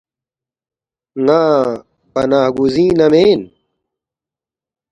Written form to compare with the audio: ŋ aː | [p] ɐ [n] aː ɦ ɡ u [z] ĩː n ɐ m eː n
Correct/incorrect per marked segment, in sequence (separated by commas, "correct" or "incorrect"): correct, correct, correct